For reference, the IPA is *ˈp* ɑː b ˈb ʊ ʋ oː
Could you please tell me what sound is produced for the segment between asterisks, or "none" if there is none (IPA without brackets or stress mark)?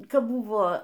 k